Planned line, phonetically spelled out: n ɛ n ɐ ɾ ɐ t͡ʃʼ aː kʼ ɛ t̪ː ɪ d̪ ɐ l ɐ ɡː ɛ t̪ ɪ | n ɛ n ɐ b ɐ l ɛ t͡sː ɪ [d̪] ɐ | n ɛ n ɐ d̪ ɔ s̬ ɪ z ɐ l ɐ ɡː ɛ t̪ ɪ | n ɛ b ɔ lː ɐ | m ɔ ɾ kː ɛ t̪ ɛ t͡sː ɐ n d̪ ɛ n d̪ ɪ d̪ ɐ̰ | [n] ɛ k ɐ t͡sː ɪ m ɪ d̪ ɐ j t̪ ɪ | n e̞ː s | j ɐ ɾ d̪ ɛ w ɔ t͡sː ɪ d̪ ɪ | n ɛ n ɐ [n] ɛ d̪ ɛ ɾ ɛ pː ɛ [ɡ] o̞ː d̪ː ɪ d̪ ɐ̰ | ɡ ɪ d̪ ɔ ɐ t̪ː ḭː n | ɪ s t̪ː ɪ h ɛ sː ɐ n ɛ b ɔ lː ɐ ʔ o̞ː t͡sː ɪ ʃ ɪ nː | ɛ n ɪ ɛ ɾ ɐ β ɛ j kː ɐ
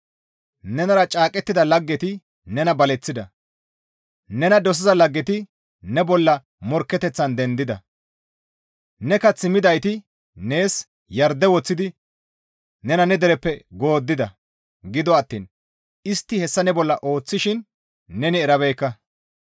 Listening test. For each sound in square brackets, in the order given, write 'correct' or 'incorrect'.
correct, correct, correct, correct

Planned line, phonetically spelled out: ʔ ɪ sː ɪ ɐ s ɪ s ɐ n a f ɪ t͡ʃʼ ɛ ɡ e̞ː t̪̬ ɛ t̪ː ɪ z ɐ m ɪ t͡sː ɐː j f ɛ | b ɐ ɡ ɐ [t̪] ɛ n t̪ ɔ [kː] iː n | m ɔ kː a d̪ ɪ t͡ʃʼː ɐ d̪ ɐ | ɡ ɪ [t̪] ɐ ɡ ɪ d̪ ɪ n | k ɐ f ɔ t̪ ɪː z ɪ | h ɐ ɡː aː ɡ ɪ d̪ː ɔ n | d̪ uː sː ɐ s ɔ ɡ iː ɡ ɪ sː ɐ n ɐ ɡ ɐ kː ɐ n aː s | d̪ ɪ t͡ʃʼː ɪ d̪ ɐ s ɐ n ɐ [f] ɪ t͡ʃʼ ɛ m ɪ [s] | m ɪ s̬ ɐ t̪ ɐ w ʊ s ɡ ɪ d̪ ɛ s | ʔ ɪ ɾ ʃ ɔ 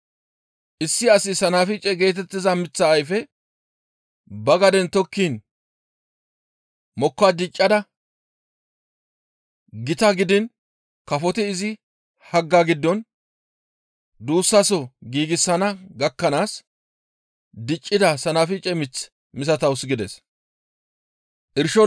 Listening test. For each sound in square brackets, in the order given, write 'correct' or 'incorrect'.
incorrect, correct, correct, correct, incorrect

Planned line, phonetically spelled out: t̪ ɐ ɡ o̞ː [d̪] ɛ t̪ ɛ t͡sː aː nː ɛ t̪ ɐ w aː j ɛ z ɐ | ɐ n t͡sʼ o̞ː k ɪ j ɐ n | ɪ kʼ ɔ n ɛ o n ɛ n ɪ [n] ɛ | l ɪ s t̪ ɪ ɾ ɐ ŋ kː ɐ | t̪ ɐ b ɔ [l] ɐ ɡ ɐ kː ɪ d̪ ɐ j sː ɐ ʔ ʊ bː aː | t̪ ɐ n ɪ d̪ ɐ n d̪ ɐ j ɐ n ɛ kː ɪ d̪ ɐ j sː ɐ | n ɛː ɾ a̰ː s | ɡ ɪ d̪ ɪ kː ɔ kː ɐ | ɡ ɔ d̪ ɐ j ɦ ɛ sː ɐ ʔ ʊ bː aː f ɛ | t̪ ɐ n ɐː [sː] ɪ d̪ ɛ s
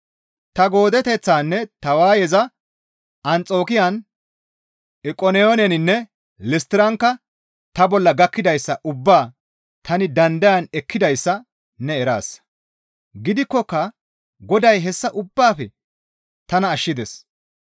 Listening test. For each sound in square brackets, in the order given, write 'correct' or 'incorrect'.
correct, incorrect, incorrect, incorrect

